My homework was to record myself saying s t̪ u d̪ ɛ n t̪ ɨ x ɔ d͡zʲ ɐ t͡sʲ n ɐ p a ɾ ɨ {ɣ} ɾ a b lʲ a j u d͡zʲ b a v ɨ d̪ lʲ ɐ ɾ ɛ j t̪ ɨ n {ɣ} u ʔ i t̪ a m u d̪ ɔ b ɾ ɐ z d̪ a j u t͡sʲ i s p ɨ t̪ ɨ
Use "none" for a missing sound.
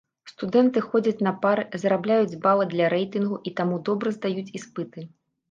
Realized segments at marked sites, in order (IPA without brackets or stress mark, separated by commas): z, ɣ